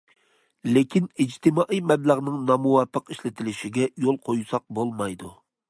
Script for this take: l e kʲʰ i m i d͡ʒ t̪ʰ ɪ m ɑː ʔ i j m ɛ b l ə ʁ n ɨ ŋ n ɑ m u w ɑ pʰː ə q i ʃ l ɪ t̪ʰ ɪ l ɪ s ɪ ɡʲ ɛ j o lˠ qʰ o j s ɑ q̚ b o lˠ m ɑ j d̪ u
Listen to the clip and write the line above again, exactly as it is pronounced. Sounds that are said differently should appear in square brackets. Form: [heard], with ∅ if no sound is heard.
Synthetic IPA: l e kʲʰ i [n] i d͡ʒ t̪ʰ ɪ m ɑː ʔ i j m ɛ b l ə ʁ n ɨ ŋ n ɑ m u w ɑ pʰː ə q i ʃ l ɪ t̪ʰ ɪ l ɪ [ʃ] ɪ ɡʲ ɛ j o lˠ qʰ o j s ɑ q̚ b o lˠ m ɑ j d̪ u